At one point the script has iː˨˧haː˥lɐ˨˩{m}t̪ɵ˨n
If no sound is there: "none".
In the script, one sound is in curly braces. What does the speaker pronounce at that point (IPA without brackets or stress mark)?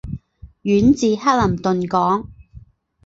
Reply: m